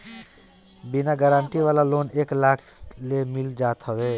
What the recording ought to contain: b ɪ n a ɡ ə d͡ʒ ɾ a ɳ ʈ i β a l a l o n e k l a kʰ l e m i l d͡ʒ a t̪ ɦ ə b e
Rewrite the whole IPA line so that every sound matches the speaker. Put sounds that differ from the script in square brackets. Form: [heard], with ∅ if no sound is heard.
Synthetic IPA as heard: b [i] n a ɡ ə [∅] ɾ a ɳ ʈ i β a l a l o n e k l a kʰ l e m i l d͡ʒ a t̪ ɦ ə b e